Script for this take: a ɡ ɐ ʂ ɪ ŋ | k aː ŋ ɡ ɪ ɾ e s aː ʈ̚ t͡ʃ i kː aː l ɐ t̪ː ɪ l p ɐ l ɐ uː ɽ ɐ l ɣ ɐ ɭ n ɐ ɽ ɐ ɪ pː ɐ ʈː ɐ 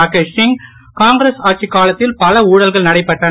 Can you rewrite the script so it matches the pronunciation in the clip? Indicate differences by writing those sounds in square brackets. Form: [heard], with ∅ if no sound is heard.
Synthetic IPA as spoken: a [k] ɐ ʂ ɪ ŋ | k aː ŋ ɡ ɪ ɾ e s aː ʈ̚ t͡ʃ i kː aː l ɐ t̪ː ɪ l p ɐ l ɐ uː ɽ ɐ l ɣ ɐ ɭ n ɐ ɽ ɐ ɪ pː ɐ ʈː ɐ